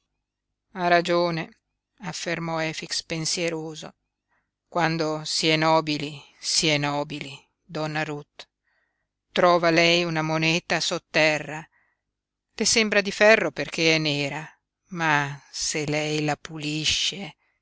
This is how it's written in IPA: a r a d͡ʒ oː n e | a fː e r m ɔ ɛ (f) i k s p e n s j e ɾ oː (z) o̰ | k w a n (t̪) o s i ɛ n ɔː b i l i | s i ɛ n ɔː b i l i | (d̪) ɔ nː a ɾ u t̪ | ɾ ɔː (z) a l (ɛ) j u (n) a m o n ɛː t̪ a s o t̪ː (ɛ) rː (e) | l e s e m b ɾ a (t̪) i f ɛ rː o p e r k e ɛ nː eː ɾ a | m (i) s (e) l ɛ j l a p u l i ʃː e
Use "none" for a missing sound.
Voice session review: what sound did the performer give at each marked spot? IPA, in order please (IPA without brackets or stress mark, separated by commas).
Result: f, z, d̪, d̪, v, ɛ, n, ɛ, a, d̪, a, e